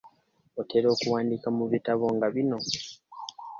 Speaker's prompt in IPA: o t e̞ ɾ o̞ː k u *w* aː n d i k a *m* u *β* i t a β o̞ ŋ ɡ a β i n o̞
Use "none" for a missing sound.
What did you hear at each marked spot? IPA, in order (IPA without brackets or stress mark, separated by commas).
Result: w, m, β